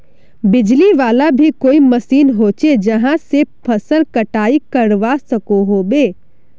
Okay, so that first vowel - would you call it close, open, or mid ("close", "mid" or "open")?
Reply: close